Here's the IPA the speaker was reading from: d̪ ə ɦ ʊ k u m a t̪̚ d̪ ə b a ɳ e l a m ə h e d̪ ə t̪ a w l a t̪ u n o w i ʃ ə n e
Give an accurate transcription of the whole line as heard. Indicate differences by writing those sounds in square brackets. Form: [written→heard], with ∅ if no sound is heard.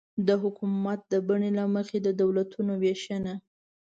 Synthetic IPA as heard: d̪ ə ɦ ʊ k u m a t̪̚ d̪ ə b a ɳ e l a m ə [h→x] e d̪ ə [t̪→d̪] a w l a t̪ u n o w [i→e] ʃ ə n [e→a]